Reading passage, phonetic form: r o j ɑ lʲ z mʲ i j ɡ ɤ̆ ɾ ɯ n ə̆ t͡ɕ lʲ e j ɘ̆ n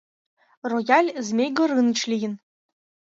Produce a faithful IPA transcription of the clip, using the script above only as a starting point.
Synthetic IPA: r o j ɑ lʲ z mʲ e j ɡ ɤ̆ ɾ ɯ n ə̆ t͡ɕ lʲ i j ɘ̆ n